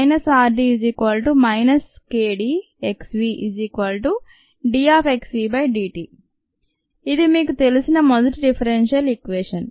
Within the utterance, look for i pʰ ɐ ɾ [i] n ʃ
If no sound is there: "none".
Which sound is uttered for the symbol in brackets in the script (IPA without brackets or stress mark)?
e